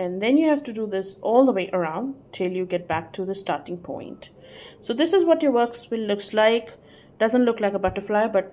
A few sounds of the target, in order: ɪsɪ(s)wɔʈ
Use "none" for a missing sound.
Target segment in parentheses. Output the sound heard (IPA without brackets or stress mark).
z